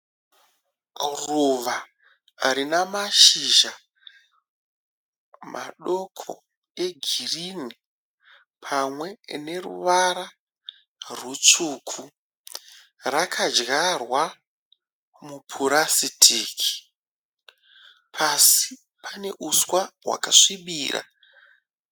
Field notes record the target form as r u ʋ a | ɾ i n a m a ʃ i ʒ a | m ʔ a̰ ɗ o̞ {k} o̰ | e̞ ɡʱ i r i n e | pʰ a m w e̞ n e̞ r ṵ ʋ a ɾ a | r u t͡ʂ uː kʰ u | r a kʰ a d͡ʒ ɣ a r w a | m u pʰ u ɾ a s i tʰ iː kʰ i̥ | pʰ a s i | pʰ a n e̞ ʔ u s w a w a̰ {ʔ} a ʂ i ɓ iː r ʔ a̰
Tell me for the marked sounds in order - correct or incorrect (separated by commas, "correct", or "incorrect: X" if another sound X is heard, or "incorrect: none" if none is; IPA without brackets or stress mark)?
incorrect: kʰ, incorrect: k